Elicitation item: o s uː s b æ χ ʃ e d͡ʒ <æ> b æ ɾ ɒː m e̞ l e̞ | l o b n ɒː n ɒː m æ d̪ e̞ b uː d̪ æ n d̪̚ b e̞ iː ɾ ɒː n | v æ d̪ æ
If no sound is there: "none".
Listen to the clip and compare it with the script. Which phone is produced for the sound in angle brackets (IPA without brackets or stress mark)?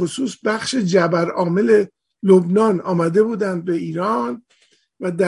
æ